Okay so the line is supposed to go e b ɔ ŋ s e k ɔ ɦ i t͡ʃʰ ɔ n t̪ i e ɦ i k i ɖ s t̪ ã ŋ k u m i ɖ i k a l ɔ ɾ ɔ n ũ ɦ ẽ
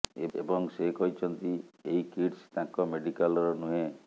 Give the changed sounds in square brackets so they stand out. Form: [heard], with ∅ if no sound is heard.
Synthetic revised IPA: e b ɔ ŋ s e k ɔ ɦ i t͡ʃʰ ɔ n t̪ i e ɦ i k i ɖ s t̪ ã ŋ k [ɔ] m [e] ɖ i k a l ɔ ɾ ɔ n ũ ɦ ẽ